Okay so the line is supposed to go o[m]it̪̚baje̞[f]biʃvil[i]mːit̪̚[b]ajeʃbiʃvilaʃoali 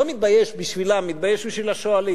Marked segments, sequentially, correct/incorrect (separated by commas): correct, incorrect, incorrect, correct